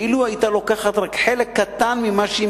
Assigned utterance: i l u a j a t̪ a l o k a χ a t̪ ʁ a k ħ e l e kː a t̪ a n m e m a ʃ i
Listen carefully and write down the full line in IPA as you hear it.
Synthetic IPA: i l u a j i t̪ a l o k a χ a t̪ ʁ a k ħ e l e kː a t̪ a n m i m a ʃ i